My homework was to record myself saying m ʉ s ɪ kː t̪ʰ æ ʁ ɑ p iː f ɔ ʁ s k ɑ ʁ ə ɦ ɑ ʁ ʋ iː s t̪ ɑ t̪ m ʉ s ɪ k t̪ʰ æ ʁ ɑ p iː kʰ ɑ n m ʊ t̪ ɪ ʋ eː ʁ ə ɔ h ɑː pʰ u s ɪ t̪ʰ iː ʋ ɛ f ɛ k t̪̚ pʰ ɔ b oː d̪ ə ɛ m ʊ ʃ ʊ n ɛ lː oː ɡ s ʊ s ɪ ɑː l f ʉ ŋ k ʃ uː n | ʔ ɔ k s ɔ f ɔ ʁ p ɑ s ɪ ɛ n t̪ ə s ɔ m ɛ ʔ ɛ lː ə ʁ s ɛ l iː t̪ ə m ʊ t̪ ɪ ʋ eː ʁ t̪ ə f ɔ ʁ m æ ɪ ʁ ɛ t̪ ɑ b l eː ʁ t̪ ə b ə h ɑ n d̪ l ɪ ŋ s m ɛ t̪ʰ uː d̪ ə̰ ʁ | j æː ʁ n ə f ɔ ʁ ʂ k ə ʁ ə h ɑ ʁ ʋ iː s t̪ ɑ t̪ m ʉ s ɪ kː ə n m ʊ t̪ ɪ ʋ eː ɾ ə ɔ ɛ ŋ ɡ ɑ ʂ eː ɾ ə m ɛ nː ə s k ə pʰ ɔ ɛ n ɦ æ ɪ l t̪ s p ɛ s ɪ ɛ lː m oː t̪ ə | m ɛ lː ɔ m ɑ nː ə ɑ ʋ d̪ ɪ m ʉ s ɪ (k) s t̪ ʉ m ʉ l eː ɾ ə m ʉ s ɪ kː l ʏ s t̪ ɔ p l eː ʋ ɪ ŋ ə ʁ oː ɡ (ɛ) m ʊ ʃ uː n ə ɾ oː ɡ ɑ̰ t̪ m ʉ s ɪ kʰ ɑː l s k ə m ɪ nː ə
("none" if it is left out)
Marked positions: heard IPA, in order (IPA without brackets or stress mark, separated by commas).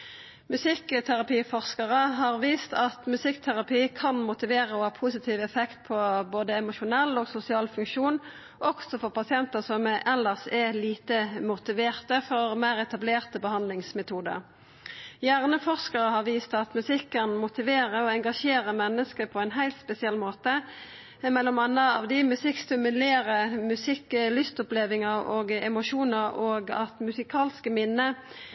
k, ɛ